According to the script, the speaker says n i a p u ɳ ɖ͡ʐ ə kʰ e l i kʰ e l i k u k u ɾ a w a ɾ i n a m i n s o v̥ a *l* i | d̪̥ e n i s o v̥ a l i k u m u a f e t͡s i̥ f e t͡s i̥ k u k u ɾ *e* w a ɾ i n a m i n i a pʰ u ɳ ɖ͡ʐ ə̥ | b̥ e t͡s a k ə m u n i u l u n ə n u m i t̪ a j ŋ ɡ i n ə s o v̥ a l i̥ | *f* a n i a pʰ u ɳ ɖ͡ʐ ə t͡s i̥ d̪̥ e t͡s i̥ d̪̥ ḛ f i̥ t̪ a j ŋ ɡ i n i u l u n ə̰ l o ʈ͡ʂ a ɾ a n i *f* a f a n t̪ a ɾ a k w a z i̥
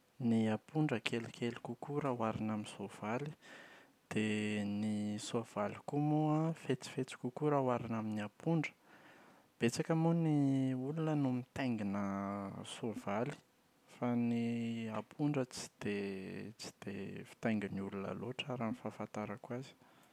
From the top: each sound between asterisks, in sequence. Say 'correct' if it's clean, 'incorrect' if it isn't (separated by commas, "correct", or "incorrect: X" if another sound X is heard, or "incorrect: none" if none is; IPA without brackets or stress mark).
correct, incorrect: a, correct, correct